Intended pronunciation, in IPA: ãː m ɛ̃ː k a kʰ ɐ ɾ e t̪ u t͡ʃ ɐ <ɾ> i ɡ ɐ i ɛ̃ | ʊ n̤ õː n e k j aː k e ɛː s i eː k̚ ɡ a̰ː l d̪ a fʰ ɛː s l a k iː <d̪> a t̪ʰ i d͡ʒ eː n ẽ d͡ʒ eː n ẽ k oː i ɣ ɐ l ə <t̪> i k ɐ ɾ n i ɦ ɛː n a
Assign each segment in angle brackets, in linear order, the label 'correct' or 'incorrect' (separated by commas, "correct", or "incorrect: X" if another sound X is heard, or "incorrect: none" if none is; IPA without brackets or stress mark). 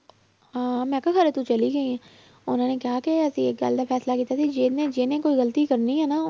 incorrect: l, incorrect: t̪, correct